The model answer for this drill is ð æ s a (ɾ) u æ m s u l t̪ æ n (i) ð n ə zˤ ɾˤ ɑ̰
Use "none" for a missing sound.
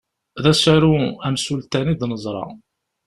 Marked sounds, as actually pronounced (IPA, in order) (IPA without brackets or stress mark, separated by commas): ɾ, i